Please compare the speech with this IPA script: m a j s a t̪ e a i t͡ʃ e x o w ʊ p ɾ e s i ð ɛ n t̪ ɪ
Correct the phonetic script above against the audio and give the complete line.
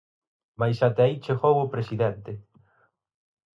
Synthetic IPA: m a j s a t̪ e a i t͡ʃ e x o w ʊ p ɾ e s i ð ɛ n t̪ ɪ